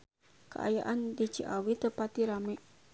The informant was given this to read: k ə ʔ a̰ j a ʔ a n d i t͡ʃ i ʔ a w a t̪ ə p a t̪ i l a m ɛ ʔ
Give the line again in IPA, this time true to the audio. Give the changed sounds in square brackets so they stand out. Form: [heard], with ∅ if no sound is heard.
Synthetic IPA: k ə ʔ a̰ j a ʔ a n d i t͡ʃ i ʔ a w [i] t̪ ə p a t̪ i [ɾ] a m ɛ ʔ